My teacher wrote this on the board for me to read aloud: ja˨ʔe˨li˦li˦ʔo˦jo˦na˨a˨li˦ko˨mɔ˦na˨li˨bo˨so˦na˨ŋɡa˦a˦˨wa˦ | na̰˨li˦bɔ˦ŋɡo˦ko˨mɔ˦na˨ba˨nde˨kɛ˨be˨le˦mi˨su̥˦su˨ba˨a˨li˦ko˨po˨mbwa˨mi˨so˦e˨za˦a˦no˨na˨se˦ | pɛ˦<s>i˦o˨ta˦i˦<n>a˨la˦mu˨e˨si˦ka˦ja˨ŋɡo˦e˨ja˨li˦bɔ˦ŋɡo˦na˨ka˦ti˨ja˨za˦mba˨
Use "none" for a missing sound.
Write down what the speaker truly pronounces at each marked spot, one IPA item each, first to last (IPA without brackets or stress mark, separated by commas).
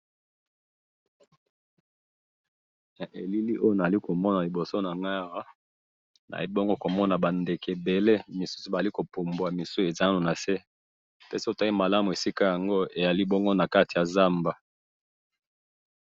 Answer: s, m